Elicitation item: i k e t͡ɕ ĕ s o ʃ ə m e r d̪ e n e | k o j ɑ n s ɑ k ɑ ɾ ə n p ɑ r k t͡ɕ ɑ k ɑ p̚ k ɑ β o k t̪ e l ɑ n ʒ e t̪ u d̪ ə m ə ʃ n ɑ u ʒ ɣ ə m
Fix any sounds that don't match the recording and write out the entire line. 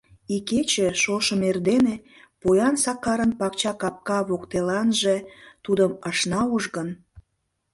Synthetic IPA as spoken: i k e t͡ɕ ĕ ʃ o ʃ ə m e r d̪ e n e | p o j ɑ n s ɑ k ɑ ɾ ə n p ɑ k t͡ɕ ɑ k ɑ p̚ k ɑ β o k t̪ e l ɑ n ʒ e t̪ u d̪ ə m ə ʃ n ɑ u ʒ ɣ ə n